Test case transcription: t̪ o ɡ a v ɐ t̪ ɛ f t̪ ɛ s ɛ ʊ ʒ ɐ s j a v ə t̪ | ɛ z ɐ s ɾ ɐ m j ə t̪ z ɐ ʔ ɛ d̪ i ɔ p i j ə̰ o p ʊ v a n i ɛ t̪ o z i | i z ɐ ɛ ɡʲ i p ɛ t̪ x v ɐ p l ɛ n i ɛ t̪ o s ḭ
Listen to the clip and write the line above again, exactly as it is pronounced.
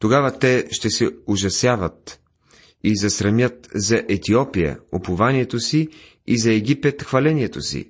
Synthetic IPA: t̪ o ɡ a v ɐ t̪ ɛ ʃ t̪ ɛ s ɛ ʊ ʒ ɐ s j a v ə t̪ | i z ɐ s ɾ ɐ m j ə t̪ z ɐ ʔ ɛ t̪ i ɔ p i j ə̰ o p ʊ v a n i ɛ t̪ o s i | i z ɐ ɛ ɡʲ i p ɛ t̪ x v ɐ l ɛ n i ɛ t̪ o s ḭ